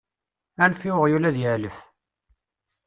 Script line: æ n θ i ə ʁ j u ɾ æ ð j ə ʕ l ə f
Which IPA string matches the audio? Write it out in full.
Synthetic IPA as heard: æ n f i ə ʁ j u l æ ð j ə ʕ l ə f